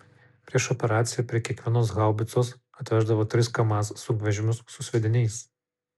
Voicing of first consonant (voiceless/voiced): voiceless